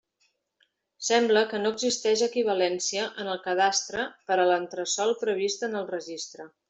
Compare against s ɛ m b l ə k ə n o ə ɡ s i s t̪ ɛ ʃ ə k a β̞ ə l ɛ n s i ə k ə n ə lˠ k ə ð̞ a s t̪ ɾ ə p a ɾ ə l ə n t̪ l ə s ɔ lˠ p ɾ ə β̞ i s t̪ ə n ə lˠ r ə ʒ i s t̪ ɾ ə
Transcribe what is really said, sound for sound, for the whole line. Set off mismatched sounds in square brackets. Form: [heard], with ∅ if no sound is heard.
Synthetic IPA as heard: s ɛ m b l ə k ə n o ə ɡ [z] i s t̪ ɛ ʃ ə k [i] β̞ ə l ɛ n s i ə [ʔ] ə n ə lˠ k ə ð̞ a s t̪ ɾ ə p [ə] ɾ ə l ə n t̪ [ɾ] ə s ɔ lˠ p ɾ ə β̞ i s t̪ ə n ə lˠ r ə ʒ i s t̪ ɾ ə